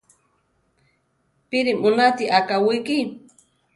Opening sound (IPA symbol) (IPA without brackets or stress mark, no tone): p